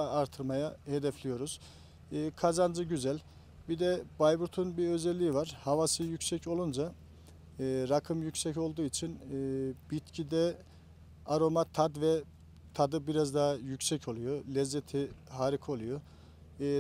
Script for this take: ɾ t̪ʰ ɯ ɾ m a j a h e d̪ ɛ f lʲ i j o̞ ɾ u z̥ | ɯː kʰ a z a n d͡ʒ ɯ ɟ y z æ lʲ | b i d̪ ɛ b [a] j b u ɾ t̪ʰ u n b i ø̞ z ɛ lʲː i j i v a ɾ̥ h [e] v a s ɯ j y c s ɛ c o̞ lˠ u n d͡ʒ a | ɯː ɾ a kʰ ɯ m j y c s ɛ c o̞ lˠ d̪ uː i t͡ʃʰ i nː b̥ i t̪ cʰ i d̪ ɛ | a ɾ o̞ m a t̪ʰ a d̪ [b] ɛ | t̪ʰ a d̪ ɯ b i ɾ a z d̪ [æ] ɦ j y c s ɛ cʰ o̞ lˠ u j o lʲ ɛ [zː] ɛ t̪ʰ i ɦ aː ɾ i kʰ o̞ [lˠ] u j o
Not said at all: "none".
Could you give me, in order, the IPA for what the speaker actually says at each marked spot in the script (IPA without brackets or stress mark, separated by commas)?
a, a, v, a, zː, lˠ